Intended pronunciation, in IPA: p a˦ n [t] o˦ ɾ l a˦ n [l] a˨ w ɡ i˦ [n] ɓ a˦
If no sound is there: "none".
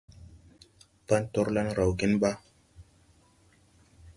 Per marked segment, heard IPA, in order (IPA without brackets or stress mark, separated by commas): t, ɾ, n